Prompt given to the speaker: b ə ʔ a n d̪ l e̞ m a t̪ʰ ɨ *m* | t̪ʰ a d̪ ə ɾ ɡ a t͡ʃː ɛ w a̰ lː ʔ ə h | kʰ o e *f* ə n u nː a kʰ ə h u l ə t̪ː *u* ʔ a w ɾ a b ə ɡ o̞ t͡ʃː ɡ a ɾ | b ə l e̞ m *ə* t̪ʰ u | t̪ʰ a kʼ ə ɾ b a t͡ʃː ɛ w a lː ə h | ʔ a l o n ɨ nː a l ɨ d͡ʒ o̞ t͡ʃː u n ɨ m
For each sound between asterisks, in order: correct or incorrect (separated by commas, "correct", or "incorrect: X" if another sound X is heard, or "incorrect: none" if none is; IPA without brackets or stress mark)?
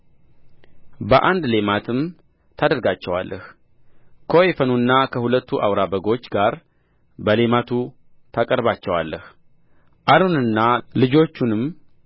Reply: correct, correct, correct, incorrect: a